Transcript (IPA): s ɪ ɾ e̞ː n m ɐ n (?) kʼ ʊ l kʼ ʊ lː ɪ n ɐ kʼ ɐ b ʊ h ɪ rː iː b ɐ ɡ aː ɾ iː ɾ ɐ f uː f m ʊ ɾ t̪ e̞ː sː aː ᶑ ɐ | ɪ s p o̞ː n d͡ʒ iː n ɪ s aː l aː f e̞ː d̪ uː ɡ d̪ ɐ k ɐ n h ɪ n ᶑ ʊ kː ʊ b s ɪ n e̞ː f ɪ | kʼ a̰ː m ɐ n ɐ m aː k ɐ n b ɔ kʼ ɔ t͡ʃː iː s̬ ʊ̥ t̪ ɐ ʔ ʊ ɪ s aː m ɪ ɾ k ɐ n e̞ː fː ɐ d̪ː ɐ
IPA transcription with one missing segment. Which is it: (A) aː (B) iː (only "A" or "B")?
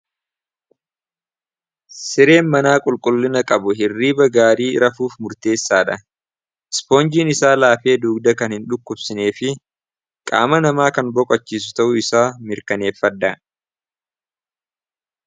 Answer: A